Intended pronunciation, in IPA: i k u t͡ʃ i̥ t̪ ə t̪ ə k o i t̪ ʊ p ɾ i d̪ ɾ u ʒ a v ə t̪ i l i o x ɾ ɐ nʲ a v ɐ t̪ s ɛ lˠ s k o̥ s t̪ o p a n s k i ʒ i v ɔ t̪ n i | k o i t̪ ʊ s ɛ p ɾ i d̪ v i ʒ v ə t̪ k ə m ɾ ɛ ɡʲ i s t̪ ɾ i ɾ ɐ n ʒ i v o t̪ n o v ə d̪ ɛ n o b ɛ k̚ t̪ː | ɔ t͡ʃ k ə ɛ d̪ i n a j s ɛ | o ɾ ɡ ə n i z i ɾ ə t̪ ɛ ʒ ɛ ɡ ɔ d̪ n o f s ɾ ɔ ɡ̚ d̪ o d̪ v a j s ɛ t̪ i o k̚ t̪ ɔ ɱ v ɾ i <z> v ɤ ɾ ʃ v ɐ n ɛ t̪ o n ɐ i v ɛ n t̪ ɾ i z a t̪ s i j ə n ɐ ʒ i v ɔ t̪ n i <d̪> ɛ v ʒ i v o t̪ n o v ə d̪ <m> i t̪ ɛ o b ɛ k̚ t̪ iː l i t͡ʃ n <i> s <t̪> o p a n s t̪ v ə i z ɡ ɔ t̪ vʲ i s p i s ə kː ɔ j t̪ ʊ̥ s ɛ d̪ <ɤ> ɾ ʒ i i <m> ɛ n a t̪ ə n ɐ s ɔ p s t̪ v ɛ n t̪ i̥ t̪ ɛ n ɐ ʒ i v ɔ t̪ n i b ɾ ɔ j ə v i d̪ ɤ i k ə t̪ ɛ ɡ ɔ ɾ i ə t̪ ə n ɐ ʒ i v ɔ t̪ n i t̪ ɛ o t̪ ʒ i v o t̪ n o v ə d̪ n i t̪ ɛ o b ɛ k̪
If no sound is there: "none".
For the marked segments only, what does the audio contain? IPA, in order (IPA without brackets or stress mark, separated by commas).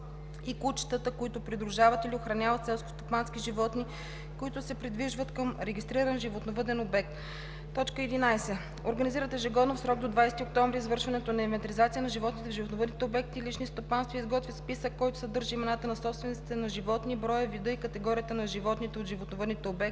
z, t̪, n, i, t̪, ɤ, m